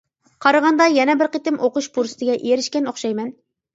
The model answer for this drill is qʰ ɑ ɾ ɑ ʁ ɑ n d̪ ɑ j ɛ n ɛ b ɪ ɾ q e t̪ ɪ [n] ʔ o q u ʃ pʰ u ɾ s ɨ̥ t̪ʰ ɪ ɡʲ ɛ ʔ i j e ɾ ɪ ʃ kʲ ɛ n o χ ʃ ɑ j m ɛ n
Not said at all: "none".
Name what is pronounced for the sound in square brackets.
m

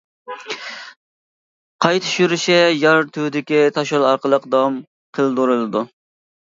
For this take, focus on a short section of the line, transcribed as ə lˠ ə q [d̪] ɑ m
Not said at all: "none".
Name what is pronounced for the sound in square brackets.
d̪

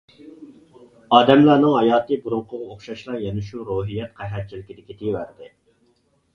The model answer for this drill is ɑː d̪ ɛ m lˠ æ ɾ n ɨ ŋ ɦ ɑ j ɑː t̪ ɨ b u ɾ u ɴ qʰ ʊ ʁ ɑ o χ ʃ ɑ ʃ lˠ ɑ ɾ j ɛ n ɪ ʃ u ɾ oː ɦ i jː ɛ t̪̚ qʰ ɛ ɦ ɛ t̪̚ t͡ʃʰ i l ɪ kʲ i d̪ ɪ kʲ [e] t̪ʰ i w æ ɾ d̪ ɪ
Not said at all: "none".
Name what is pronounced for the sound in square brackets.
i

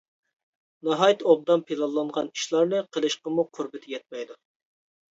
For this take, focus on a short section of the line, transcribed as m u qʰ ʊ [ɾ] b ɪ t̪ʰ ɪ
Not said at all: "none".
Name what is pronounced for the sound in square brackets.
ɾ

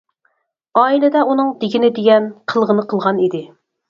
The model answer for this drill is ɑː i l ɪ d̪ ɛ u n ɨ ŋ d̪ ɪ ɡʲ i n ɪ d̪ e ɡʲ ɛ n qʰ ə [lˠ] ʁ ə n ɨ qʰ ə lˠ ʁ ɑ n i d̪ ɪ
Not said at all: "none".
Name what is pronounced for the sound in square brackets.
lˠ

